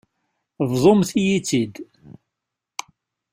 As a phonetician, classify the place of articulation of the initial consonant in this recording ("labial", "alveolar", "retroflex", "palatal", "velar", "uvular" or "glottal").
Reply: labial